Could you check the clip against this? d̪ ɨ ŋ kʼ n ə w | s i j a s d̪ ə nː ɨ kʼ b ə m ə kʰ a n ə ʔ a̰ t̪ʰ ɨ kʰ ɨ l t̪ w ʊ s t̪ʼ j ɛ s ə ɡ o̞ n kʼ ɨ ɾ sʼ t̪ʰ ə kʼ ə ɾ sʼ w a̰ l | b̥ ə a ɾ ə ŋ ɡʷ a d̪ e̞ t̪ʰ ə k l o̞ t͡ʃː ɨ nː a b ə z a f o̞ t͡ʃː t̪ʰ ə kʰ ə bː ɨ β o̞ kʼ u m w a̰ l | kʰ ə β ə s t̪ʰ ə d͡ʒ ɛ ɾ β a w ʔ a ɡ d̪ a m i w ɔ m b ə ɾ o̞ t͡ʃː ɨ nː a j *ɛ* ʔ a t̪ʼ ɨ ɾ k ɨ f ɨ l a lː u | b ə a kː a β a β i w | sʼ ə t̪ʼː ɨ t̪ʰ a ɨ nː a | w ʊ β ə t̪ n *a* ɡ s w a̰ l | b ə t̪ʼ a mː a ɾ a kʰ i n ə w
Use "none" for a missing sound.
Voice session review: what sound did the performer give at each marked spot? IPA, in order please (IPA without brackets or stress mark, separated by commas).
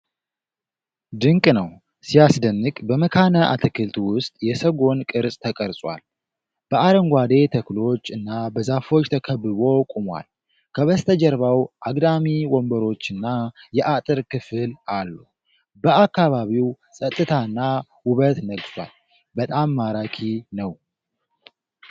ɛ, ə